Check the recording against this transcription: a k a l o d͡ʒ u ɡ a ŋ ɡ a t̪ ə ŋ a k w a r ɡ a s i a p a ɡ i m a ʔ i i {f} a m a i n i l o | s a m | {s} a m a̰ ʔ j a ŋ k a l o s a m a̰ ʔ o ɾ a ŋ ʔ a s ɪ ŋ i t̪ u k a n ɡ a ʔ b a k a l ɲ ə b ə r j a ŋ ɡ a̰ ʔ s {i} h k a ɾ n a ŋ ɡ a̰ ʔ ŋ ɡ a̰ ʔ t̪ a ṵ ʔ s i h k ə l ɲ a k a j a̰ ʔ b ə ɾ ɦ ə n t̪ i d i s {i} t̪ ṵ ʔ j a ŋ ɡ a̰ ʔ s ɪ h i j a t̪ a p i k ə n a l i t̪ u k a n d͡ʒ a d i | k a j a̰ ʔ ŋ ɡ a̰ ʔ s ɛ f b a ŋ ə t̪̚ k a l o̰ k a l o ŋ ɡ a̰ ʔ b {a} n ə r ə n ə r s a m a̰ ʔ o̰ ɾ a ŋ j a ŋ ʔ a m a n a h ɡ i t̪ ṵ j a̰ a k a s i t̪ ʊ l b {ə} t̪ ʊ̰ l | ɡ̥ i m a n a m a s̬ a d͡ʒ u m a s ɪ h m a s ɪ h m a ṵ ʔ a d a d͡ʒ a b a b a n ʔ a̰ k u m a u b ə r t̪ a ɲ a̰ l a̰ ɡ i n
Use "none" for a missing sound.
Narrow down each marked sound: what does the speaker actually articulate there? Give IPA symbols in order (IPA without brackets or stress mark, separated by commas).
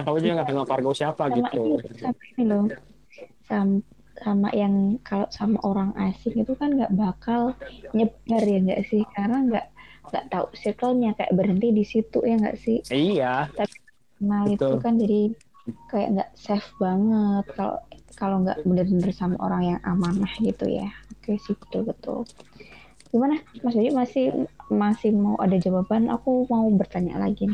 s, s, ɪ, i, ə, ə